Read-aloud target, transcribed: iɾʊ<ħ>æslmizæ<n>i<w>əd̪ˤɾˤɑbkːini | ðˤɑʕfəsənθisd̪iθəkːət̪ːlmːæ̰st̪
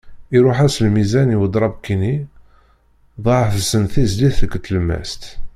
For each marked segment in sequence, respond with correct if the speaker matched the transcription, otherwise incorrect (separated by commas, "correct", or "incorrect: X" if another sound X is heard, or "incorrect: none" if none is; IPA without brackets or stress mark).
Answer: correct, correct, correct